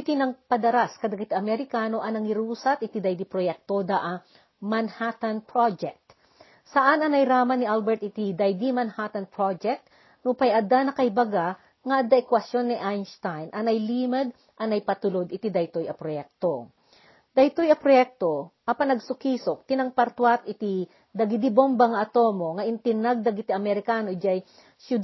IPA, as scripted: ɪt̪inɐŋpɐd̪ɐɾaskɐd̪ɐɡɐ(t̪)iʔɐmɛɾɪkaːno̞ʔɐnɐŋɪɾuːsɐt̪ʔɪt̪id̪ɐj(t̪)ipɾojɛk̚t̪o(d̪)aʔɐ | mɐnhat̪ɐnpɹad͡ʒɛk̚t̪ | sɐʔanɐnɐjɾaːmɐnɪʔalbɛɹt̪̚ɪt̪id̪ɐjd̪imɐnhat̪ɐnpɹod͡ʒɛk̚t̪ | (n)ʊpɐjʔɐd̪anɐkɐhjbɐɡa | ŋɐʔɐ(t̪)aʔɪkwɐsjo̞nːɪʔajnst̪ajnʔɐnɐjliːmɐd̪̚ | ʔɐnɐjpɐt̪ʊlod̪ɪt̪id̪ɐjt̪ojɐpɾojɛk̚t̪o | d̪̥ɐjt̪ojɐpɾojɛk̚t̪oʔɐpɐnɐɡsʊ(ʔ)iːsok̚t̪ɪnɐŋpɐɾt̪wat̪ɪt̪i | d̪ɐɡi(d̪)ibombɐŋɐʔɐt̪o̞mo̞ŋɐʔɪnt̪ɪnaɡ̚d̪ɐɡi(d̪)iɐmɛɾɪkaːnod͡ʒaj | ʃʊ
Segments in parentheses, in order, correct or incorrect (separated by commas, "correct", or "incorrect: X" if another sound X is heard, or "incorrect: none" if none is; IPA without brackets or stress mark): correct, incorrect: d̪, correct, correct, incorrect: d̪, incorrect: k, correct, incorrect: t̪